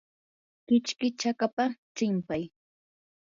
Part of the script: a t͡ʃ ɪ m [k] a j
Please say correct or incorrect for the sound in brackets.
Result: incorrect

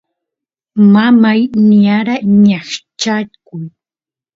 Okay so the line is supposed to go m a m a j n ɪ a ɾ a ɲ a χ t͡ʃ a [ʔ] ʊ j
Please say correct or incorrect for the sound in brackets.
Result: incorrect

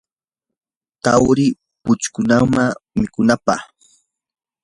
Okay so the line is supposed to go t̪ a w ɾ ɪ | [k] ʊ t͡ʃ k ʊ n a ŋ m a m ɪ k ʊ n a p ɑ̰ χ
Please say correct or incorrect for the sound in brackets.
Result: incorrect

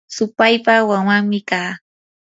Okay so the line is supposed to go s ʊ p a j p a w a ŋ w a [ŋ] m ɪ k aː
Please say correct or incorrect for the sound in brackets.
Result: correct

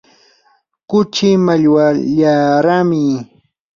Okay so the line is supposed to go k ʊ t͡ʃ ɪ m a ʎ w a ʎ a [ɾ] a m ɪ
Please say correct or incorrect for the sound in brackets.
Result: correct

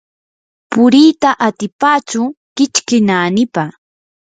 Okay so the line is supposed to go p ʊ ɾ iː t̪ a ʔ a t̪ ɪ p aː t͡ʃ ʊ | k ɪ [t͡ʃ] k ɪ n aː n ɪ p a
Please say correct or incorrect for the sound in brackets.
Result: correct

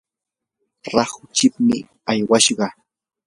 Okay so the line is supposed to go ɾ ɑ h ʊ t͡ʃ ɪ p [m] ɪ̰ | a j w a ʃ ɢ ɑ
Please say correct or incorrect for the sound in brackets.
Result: correct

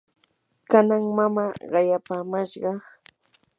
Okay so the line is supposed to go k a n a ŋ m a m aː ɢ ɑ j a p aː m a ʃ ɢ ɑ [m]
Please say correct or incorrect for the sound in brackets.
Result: incorrect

